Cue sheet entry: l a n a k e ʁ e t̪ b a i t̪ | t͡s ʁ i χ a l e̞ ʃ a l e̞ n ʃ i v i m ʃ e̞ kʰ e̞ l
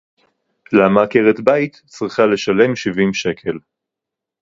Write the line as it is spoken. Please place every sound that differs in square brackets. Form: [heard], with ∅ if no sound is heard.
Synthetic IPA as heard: l a [m] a k e ʁ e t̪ b a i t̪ | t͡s ʁ i χ a l e̞ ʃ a l e̞ [m] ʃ i v i m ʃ e̞ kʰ e̞ l